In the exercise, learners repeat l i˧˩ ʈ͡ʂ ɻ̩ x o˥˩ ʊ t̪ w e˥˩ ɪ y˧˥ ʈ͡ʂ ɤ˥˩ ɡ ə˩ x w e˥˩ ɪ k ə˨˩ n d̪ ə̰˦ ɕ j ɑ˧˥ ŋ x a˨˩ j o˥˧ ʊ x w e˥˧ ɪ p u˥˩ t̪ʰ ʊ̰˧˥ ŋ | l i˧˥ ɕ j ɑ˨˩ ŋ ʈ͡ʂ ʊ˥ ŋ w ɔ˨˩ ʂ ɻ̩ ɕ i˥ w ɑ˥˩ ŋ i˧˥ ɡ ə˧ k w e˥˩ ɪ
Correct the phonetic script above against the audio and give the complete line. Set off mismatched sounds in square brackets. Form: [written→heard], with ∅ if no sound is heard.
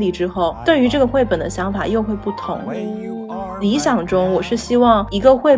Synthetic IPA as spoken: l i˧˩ ʈ͡ʂ ɻ̩ x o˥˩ ʊ t̪ w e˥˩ ɪ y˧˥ ʈ͡ʂ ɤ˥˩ ɡ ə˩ x w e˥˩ ɪ [k→p] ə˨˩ n d̪ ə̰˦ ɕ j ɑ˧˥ ŋ [x→f] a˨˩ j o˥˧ ʊ x w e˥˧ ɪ p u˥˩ t̪ʰ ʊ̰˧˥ ŋ | l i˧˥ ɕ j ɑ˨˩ ŋ ʈ͡ʂ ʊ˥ ŋ w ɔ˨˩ ʂ ɻ̩ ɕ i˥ w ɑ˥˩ ŋ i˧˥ ɡ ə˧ [k→x] w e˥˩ ɪ